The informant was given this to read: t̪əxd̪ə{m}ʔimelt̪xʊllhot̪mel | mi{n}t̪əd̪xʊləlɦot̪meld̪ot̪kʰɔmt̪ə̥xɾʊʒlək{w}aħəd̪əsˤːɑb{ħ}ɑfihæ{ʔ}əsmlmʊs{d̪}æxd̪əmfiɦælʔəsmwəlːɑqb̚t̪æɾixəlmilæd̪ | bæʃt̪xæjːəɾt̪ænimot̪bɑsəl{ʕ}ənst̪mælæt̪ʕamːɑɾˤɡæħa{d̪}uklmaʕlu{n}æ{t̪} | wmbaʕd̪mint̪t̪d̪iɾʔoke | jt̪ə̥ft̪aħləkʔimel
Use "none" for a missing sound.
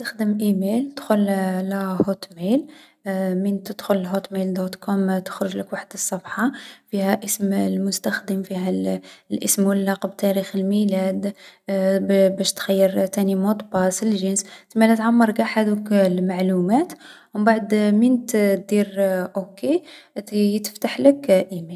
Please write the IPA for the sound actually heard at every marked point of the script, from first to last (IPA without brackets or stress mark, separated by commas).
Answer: m, n, w, ħ, ʔ, t̪, ʒ, d̪, m, t̪